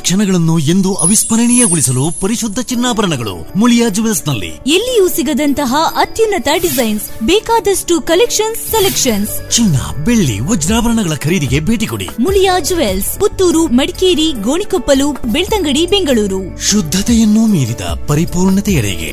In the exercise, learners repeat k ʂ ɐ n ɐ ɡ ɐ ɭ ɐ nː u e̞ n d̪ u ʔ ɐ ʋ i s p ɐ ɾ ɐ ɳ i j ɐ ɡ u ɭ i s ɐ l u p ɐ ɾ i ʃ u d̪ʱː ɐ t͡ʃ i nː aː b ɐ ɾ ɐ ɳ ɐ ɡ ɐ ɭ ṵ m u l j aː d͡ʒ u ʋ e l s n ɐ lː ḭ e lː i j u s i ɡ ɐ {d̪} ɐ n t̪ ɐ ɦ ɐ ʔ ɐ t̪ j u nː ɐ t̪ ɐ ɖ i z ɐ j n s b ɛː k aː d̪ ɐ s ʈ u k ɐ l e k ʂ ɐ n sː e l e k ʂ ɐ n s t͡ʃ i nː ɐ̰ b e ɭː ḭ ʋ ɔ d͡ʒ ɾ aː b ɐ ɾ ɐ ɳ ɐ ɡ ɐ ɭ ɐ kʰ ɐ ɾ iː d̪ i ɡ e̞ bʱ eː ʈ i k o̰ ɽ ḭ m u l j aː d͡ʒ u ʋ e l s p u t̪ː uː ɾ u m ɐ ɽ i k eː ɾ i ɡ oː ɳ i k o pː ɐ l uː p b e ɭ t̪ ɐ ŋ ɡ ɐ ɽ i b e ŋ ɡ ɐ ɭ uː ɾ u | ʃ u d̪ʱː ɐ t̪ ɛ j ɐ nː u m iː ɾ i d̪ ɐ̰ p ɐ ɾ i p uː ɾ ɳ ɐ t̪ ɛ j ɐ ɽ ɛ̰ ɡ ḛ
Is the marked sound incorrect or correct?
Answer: correct